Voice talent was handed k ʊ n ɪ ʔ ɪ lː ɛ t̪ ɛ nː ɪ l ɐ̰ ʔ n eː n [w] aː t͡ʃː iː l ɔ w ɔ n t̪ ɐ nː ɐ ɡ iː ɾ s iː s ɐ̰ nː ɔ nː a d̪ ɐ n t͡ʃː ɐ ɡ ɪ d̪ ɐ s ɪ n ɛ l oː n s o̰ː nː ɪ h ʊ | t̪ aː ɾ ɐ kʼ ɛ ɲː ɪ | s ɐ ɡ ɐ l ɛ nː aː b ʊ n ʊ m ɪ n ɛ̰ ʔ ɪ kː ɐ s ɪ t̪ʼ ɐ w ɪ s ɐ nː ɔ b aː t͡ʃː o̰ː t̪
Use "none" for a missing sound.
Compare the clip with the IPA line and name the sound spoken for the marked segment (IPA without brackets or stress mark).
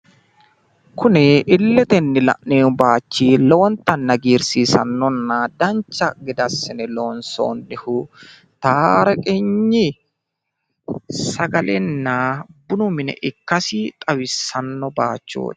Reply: b